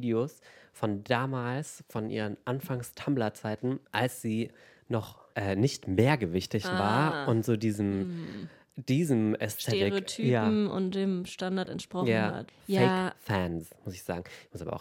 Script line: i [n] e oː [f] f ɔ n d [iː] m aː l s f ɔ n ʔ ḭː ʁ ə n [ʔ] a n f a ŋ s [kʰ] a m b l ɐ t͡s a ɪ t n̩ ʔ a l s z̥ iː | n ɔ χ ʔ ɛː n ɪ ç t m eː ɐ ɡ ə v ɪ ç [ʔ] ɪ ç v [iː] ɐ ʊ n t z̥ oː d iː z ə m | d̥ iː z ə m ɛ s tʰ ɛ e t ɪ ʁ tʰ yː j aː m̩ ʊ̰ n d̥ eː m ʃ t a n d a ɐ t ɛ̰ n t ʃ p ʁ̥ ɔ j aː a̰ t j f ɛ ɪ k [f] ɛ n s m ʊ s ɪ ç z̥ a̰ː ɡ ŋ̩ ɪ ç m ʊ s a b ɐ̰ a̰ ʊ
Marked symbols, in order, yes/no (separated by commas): no, no, no, yes, no, no, no, yes